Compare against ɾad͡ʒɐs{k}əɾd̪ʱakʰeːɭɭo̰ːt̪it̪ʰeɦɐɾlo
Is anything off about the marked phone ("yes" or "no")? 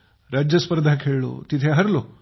yes